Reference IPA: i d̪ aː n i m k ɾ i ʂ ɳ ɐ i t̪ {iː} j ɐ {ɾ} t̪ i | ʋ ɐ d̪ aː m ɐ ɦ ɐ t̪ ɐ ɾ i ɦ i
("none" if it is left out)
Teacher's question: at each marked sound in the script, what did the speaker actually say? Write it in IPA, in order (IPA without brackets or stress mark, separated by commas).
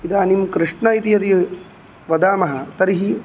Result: i, none